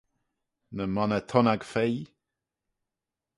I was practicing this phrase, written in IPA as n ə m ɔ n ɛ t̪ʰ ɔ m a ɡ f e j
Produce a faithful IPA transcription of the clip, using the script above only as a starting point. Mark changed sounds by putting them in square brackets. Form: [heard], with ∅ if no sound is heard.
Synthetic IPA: n ə m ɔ n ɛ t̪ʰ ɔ [n] a ɡ f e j